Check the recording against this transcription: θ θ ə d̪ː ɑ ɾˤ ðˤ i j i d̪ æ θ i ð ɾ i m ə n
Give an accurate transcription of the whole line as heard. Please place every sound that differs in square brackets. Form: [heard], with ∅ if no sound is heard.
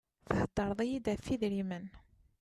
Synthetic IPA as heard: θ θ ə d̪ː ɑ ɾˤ ðˤ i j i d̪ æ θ i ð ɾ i m ə n

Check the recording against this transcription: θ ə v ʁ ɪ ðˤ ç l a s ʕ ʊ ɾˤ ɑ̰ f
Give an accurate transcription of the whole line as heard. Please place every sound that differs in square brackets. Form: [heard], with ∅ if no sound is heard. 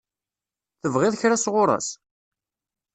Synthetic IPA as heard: θ ə v ʁ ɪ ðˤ ç [ɾ] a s [ʁ] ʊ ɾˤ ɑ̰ [s]

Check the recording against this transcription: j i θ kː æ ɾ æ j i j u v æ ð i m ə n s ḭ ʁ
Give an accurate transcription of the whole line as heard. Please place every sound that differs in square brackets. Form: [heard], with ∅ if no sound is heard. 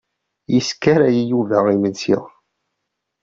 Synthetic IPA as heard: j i [s] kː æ ɾ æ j i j u v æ [ʁ] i m ə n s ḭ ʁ

